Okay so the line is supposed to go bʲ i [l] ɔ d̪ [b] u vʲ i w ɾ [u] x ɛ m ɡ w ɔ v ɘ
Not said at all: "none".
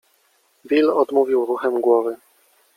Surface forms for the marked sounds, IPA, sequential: l, m, u

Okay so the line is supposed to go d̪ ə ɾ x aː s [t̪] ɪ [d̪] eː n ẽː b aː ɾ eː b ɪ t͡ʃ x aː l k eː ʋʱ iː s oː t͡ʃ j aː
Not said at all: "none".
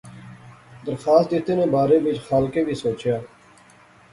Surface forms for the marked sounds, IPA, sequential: t̪, t̪

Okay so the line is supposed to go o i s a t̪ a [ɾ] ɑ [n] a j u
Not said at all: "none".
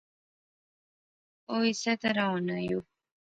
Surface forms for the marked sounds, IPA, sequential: ɾ, n

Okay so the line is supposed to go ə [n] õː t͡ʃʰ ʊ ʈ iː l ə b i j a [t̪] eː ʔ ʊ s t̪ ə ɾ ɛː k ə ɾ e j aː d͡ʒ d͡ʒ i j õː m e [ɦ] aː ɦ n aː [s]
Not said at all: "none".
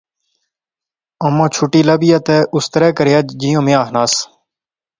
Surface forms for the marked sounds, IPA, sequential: m, t̪, none, s

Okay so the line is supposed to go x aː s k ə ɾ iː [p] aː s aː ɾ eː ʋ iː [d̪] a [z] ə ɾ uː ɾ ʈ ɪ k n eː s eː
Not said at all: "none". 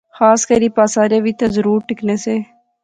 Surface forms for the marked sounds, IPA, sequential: p, t̪, z

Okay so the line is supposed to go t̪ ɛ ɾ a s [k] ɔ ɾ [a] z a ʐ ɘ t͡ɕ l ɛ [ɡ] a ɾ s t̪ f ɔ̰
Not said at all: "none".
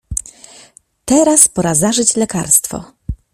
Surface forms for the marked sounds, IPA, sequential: p, a, k

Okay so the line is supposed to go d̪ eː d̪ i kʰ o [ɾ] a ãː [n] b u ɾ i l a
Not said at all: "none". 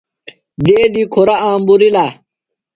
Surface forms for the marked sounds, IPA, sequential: ɾ, m

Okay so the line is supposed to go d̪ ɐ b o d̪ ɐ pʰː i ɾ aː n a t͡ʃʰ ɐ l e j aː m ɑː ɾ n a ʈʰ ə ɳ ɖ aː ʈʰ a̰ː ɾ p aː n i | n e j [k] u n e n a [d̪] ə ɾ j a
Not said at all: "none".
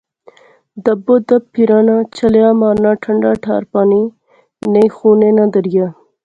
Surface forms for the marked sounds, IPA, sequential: x, d̪

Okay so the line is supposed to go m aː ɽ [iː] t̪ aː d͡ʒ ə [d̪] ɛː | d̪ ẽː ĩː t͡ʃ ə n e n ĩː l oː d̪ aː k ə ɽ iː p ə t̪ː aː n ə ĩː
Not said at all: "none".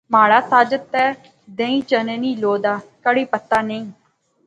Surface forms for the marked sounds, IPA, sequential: aː, t̪

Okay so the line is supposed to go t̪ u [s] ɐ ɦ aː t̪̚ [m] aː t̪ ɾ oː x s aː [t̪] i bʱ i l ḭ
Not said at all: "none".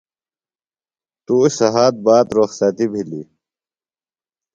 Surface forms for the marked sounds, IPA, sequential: s, b, t̪

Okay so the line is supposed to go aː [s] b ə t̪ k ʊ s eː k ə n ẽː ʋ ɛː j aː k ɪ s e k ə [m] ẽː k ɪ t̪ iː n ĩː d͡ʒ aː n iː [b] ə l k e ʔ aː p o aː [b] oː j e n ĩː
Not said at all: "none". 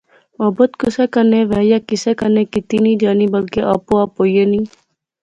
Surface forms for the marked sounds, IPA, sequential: none, n, b, p

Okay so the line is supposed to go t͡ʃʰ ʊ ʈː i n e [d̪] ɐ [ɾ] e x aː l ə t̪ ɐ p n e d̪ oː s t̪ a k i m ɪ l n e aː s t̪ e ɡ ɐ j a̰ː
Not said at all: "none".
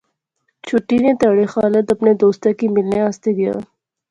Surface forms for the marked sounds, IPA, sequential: t̪, ɽ

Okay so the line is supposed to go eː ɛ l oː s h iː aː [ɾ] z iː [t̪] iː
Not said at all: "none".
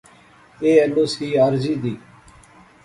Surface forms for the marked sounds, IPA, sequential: ɾ, d̪

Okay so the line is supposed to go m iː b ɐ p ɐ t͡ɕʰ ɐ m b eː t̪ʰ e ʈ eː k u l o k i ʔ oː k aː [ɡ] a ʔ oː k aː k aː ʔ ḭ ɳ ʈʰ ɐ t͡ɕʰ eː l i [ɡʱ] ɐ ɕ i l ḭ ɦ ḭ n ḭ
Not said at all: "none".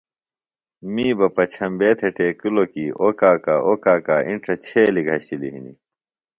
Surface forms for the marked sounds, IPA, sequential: k, ɡʱ

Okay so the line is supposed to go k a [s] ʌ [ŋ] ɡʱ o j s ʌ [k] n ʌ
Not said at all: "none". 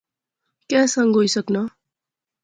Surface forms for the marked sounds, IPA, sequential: s, ŋ, k

